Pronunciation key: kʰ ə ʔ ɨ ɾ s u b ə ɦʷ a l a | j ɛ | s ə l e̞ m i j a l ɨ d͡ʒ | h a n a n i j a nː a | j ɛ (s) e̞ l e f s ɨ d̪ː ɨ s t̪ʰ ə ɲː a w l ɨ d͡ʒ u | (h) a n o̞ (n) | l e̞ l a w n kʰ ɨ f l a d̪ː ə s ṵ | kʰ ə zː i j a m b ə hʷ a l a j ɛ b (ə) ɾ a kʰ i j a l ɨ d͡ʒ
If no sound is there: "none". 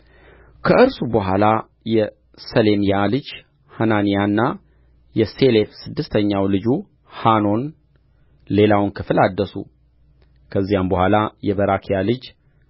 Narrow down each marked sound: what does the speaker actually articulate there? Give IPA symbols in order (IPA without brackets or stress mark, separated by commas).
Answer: s, h, n, ə